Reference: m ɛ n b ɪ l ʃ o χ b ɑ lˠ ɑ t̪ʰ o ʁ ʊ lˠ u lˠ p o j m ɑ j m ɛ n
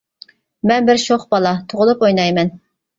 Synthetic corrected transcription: m ɛ n b ɪ ɾ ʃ o χ b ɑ lˠ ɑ t̪ʰ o ʁ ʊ lˠ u p o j n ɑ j m ɛ n